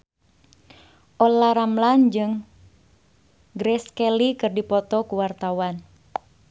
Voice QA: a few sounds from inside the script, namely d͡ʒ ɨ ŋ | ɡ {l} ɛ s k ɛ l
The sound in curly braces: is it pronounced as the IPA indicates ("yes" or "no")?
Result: no